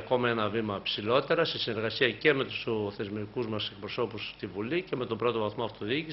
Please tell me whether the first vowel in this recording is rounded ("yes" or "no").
yes